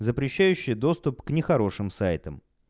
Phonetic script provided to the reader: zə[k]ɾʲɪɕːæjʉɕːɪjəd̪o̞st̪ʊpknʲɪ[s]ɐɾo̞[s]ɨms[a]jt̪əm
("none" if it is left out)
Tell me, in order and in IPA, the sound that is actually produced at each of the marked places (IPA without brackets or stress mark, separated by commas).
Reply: p, x, ʂ, a